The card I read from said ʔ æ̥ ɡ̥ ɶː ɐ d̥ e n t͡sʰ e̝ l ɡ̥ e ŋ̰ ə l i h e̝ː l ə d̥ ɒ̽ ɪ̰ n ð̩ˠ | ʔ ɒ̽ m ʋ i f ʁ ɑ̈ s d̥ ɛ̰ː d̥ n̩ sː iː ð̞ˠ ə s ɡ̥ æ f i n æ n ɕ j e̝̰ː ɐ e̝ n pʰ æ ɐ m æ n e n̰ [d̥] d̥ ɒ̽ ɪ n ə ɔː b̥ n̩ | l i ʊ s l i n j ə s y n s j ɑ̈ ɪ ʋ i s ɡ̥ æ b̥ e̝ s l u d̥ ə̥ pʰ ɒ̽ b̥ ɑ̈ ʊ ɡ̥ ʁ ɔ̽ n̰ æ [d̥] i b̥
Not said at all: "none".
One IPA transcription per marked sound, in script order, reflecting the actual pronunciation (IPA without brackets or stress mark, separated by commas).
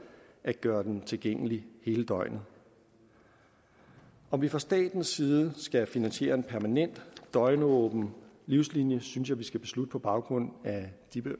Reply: d̥, d̥